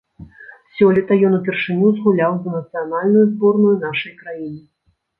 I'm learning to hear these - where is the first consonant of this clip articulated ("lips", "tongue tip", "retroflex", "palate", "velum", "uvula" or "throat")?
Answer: tongue tip